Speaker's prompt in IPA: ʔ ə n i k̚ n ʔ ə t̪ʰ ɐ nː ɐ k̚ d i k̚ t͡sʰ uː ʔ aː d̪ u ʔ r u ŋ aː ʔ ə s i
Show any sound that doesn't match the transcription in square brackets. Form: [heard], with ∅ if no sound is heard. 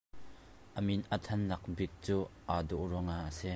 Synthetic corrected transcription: ʔ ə [m] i [∅] n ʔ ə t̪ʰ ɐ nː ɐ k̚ [b] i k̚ [t͡s] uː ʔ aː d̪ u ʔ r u ŋ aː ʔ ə s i